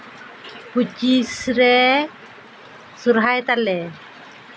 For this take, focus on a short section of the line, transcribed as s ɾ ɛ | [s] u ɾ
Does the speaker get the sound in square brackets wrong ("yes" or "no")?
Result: no